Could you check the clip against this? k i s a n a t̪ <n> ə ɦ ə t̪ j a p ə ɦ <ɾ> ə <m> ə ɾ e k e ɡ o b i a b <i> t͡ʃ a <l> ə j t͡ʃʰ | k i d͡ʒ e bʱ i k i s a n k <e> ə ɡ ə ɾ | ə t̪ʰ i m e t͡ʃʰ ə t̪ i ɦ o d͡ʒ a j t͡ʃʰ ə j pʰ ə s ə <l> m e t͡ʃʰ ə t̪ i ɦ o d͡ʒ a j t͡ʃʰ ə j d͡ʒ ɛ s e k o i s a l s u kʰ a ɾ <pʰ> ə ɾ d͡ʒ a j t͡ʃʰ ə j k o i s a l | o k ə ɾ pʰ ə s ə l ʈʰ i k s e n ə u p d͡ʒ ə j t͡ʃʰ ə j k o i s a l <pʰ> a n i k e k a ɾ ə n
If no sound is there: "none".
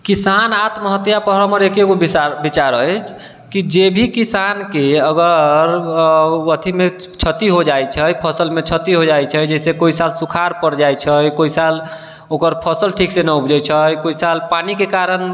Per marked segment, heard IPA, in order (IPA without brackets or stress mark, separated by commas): m, ɾ, m, i, ɾ, e, l, p, p